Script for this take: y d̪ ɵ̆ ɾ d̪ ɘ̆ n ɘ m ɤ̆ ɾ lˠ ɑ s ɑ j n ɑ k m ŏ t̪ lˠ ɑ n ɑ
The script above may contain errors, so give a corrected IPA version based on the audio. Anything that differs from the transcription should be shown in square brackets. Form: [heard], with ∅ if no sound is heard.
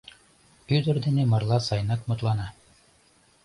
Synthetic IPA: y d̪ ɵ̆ ɾ d̪ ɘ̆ n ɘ m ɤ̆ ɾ lˠ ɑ s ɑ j n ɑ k m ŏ t̪ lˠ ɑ n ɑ

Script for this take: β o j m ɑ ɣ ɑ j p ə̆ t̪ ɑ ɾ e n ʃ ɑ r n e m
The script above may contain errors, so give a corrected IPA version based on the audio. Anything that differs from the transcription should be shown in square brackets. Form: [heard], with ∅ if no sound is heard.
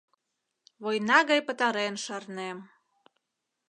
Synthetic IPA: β o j [n] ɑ ɣ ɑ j p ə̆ t̪ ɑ ɾ e n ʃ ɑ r n e m

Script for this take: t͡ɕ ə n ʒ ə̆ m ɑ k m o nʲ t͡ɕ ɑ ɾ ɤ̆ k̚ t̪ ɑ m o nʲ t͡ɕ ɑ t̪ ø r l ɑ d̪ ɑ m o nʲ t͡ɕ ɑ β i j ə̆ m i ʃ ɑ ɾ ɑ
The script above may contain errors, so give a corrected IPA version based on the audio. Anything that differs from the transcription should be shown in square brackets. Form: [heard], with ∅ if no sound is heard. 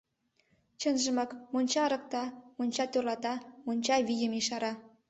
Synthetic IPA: t͡ɕ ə n ʒ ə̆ m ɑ k m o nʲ t͡ɕ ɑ ɾ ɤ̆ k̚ t̪ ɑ m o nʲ t͡ɕ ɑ t̪ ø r l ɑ [t̪] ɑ m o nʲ t͡ɕ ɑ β i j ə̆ m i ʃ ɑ ɾ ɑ

